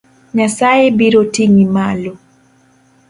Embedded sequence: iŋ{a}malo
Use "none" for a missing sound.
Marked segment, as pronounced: i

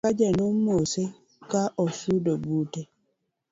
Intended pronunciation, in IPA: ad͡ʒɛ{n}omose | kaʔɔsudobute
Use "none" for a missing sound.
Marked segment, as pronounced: n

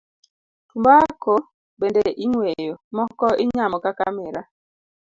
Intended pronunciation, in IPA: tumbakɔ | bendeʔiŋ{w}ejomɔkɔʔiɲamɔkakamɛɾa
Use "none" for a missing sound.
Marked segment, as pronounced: w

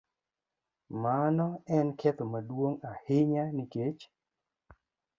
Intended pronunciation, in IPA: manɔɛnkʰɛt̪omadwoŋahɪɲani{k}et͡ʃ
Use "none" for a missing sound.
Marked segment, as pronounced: k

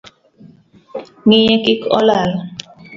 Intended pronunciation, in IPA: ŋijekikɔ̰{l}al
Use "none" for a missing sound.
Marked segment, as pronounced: l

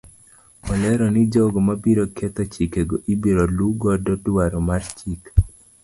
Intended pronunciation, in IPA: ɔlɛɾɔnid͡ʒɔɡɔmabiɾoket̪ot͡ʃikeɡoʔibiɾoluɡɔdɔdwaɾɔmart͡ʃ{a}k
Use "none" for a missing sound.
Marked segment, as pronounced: i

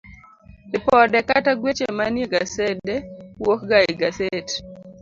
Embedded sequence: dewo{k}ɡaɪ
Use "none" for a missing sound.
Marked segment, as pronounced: k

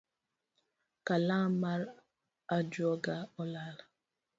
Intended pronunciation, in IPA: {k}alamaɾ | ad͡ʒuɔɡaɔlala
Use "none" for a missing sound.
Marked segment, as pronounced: k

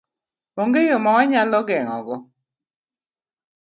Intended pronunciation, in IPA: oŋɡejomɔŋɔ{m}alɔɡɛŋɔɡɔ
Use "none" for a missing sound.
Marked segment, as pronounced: ɲ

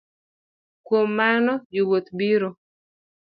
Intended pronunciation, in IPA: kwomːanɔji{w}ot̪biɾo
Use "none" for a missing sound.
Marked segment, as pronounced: w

